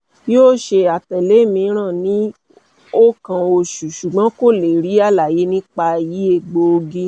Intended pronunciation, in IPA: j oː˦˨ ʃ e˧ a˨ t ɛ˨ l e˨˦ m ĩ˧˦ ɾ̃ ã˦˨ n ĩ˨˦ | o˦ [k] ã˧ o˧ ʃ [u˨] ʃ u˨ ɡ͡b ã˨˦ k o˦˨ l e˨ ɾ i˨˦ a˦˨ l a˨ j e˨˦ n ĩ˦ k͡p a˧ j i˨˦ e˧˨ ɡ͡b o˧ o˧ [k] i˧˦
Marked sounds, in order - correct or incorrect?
correct, correct, incorrect: ɡ

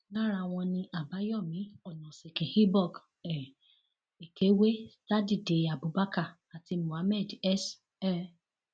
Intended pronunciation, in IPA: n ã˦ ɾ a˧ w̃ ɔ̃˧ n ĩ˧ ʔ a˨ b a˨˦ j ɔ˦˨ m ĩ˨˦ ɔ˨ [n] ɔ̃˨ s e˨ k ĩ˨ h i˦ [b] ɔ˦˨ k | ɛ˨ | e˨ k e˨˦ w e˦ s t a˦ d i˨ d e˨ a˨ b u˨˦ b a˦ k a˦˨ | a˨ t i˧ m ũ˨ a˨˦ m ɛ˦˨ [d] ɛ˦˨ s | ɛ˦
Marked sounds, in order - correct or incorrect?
correct, correct, correct

